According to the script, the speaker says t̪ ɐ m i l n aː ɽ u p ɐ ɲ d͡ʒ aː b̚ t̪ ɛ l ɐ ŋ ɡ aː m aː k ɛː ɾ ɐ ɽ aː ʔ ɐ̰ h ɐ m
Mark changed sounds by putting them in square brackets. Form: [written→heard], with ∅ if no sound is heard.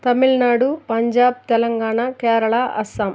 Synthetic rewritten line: t̪ ɐ m i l n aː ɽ u p ɐ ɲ d͡ʒ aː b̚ t̪ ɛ l ɐ ŋ ɡ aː [m→ɳ] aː k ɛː ɾ ɐ [ɽ→ɭ] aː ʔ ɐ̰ [h→s] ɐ m